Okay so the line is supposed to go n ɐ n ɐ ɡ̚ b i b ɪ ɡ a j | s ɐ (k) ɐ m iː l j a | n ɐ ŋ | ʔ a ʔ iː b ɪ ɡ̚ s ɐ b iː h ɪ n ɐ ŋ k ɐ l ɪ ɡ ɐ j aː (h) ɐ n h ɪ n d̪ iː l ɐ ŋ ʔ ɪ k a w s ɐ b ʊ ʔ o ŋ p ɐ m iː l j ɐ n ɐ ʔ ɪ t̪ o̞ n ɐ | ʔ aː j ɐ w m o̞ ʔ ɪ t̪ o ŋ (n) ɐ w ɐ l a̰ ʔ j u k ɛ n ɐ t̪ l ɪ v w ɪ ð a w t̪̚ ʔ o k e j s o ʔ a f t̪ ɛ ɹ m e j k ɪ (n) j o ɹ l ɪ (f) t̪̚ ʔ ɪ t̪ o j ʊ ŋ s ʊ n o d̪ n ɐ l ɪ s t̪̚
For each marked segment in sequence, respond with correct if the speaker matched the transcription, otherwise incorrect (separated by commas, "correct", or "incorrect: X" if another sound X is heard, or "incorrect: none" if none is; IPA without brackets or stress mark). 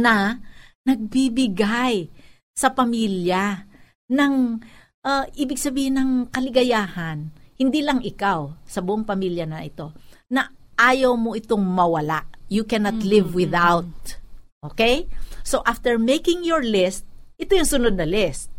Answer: incorrect: p, correct, incorrect: m, incorrect: ŋ, incorrect: s